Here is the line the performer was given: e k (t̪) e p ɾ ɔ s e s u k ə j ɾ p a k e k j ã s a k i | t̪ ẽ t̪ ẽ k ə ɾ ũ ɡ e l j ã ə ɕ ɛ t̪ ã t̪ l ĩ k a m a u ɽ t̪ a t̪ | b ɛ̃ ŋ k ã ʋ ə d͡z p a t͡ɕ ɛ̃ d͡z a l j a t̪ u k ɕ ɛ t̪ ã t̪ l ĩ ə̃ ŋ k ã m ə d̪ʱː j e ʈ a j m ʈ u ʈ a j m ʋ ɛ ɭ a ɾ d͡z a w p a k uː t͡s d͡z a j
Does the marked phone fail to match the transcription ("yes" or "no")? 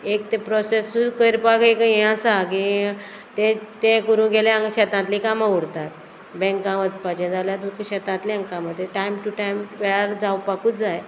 no